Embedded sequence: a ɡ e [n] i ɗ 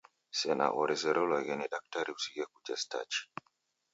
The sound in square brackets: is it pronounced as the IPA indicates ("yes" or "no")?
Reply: yes